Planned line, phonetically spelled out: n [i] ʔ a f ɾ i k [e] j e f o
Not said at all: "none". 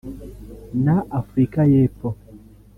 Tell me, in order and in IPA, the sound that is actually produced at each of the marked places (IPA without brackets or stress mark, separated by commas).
a, a